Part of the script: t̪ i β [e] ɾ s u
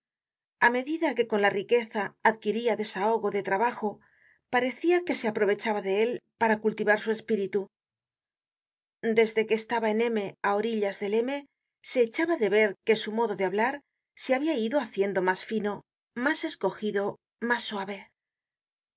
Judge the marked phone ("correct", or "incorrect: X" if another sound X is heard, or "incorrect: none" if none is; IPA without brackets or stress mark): incorrect: a